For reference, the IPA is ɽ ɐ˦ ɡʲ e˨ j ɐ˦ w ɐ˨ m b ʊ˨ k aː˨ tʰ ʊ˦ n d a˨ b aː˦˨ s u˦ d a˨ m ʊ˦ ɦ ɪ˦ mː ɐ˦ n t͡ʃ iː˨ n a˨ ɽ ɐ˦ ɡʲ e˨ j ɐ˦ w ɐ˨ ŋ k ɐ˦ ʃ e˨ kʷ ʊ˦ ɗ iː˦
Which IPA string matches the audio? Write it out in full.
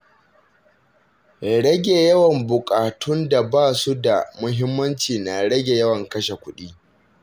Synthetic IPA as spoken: ɽ ɐ˦ ɡʲ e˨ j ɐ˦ w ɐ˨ m b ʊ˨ kʼ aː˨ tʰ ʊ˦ n d a˨ b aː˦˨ s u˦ d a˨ m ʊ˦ ɦ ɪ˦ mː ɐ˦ n t͡ʃ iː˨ n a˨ ɽ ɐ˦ ɡʲ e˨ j ɐ˦ w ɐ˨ ŋ k ɐ˦ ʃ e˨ kʷ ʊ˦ ɗ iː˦

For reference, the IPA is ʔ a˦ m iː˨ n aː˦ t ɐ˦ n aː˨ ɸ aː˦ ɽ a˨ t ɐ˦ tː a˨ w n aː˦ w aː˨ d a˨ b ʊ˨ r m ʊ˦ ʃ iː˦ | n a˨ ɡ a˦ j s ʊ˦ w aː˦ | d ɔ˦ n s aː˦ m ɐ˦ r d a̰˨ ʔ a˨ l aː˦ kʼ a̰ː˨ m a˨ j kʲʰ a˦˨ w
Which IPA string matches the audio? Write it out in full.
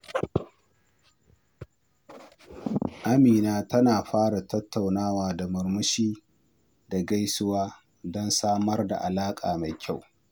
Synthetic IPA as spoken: ʔ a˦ m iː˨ n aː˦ t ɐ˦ n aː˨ ɸ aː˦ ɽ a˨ t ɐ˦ tː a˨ w n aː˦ w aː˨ d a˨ m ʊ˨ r m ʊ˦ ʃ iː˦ | d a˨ ɡ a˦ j s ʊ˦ w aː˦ | d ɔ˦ n s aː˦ m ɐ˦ r d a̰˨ ʔ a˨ l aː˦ kʼ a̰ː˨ m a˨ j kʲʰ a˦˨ w

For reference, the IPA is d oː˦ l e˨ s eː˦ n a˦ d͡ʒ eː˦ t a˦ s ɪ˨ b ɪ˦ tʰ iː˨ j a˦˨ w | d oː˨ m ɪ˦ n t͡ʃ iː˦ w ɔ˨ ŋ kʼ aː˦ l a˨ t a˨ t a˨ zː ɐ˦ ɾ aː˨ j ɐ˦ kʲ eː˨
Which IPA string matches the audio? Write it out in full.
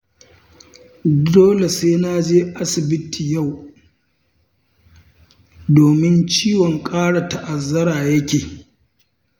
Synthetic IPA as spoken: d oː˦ l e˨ s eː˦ n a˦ d͡ʒ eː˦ ʔ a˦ s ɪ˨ b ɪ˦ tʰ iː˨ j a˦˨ w | d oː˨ m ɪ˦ n t͡ʃ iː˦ w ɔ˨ ŋ kʼ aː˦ ɽ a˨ t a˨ ʔ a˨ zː ɐ˦ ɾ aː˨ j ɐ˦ kʲ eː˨

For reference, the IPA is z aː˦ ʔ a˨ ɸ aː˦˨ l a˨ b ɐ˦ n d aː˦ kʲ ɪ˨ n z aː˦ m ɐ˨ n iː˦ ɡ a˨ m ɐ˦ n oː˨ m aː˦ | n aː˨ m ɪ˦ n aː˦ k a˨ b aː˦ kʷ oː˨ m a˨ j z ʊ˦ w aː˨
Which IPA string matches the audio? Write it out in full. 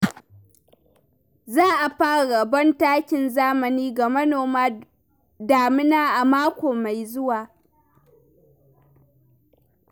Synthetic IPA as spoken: z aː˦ ʔ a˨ ɸ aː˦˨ ɽ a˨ b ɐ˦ n t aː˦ kʲ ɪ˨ n z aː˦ m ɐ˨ n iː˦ ɡ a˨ m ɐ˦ n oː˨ m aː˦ | d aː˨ m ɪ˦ n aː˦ ʔ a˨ m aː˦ kʷ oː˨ m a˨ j z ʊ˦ w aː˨

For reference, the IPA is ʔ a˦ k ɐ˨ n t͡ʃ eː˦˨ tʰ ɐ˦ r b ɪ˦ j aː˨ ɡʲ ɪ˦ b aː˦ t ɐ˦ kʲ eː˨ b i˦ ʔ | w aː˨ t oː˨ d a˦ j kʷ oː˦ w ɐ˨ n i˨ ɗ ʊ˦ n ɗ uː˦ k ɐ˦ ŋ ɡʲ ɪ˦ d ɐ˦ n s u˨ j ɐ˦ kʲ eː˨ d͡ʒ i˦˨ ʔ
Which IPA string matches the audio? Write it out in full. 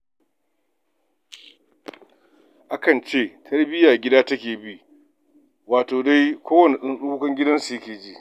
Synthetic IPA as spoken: ʔ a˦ k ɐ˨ n t͡ʃ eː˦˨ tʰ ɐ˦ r b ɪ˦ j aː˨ ɡʲ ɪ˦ d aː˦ t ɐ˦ kʲ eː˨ b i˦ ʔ | w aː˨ t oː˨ d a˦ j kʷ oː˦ w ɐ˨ n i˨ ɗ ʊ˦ n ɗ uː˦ k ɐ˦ ŋ ɡʲ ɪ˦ d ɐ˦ n s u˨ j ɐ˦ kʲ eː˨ d͡ʒ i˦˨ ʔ

